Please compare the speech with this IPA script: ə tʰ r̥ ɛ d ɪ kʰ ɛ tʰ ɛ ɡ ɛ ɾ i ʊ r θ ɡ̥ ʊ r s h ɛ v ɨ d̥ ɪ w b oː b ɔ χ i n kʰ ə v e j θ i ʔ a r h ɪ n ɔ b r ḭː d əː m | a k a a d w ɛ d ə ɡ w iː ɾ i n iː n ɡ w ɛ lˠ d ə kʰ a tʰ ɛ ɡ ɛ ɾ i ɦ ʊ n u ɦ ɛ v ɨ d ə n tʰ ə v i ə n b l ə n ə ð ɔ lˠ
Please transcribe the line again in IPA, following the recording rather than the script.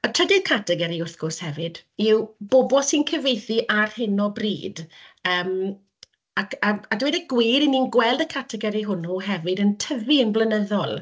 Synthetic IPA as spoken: ə tʰ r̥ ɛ d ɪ kʰ a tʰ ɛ ɡ ɛ ɾ i ʊ r θ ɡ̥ ʊ r s h ɛ v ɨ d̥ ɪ w b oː b ɔ s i n kʰ ə v e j θ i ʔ a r h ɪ n ɔ b r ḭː d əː m | a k a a d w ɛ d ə ɡ w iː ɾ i n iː n ɡ w ɛ lˠ d ə kʰ a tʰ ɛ ɡ ɛ ɾ i ɦ ʊ n u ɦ ɛ v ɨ d ə n tʰ ə v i ə n b l ə n ə ð ɔ lˠ

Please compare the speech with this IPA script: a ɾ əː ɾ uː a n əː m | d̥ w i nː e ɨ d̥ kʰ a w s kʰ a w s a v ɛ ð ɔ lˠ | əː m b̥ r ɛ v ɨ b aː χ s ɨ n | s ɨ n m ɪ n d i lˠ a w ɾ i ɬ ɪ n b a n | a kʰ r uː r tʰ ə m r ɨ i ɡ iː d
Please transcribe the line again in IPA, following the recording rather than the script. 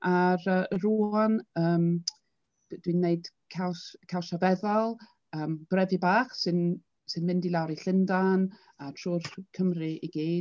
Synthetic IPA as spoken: a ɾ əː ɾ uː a n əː m | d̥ w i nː e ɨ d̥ kʰ a w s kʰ a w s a v ɛ ð ɔ lˠ | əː m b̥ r ɛ v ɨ b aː χ s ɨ n | s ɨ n m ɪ n d i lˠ a w ɾ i ɬ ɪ n d a n | a tʰ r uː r kʰ ə m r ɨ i ɡ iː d

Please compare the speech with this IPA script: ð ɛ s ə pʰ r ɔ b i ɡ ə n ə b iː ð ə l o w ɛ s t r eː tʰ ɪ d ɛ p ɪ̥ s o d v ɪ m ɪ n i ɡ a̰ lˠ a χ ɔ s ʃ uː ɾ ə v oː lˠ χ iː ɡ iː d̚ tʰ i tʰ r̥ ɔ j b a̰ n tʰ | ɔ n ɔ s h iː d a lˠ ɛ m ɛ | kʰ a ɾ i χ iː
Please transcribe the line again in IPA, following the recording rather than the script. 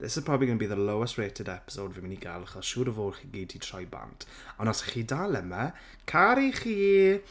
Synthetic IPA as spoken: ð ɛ s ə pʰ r ɔ b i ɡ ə n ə b iː ð ə l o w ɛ s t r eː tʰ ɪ d ɛ p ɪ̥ s o d v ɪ m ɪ n i ɡ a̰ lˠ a χ ɔ s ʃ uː ɾ ə v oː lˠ χ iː ɡ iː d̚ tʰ i tʰ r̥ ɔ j b a̰ n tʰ | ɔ n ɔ s χ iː d a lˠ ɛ m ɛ | kʰ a ɾ i χ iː

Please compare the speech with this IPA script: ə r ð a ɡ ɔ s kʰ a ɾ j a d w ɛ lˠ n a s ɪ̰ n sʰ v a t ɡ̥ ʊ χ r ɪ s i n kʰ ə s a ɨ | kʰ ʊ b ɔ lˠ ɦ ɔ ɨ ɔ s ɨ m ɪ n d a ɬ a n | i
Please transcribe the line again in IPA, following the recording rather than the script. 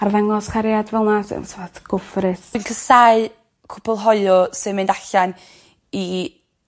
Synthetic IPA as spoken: a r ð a ŋ ɔ s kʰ a ɾ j a d v ɛ lˠ n a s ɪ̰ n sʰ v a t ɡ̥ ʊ f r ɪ s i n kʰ ə s a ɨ | kʰ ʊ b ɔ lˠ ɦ ɔ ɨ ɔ s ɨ m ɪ n d a ɬ a n | i

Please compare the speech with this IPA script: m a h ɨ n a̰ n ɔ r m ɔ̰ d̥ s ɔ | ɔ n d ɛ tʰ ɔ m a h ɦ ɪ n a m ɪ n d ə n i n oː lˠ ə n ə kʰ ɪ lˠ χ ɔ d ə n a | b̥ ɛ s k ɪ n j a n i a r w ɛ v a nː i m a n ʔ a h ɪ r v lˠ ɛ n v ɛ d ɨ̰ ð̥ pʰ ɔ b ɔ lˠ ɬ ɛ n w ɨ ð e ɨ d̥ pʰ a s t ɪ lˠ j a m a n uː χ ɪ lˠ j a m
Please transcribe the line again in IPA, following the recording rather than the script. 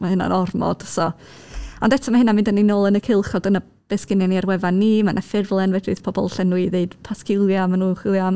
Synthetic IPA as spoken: m a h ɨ n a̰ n ɔ r m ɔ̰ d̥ s ɔ | ɔ n d ɛ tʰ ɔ m a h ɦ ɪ n a m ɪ n d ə n i n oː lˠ ə n ə kʰ ɪ lˠ χ ɔ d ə n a | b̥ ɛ s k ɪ n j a n i a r w ɛ v a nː i m a n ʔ a f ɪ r v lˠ ɛ n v ɛ d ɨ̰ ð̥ pʰ ɔ b ɔ lˠ ɬ ɛ n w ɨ ð e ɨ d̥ pʰ a s k ɪ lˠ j a m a n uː χ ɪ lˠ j a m

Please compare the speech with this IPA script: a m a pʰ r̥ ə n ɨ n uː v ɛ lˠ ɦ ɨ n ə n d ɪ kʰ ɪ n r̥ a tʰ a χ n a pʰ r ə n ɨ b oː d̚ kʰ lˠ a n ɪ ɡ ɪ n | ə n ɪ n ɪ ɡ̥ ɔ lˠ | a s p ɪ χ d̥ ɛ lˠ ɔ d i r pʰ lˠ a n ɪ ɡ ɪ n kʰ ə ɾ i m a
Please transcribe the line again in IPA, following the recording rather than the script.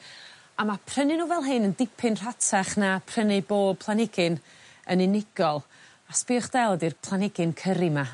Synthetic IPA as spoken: a m a pʰ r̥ ə n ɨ n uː v ɛ lˠ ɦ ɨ n ə n d ɪ pʰ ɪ n r̥ a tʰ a χ n a pʰ r ə n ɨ b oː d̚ pʰ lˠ a n ɪ ɡ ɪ n | ə n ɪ n ɪ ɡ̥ ɔ lˠ | a s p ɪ χ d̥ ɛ lˠ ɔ d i r pʰ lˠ a n ɪ ɡ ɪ n kʰ ə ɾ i m a

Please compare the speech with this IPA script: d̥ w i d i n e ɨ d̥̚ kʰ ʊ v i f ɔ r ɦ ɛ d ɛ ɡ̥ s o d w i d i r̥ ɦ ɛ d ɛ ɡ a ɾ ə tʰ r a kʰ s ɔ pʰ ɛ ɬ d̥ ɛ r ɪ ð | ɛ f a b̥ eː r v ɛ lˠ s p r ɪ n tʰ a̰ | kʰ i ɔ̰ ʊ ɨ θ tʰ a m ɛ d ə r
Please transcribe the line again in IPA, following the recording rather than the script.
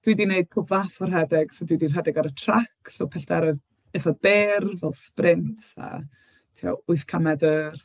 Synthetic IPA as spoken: d̥ w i d i n e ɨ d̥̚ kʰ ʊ v a f ɔ r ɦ ɛ d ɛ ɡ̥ s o d w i d i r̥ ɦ ɛ d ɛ ɡ a ɾ ə tʰ r a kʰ s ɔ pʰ ɛ ɬ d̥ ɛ ɾ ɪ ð | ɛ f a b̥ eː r v ɛ lˠ s p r ɪ n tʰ a̰ | tʰ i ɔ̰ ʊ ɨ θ kʰ a m ɛ d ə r

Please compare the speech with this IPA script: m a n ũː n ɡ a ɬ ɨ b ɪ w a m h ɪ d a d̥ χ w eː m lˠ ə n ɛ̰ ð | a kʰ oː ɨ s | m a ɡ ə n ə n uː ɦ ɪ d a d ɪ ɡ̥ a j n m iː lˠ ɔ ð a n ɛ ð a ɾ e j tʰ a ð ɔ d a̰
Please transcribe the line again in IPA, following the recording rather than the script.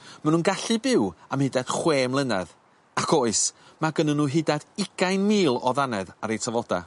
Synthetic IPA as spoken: m a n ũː n ɡ a ɬ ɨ b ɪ w a m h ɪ d a d̥ χ w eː m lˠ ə n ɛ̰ ð | a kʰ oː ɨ s | m a ɡ ə n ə n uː ɦ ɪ d a d ɪ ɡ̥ a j n m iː lˠ ɔ ð a n ɛ ð a ɾ e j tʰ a v ɔ d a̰

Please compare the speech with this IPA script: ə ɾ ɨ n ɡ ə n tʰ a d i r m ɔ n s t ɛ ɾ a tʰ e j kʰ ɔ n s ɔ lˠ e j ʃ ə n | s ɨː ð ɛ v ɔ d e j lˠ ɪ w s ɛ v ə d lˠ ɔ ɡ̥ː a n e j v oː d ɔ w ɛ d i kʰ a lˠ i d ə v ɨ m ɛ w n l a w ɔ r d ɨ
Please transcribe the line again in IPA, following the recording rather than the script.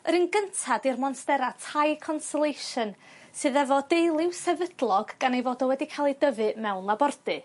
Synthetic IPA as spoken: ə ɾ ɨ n ɡ ə n tʰ a d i r m ɔ n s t ɛ ɾ a tʰ a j kʰ ɔ n s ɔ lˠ e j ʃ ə n | s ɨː ð ɛ v ɔ d e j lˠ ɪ w s ɛ v ə d lˠ ɔ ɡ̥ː a n e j v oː d ɔ w ɛ d i kʰ a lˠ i d ə v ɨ m ɛ w n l a b ɔ r d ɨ

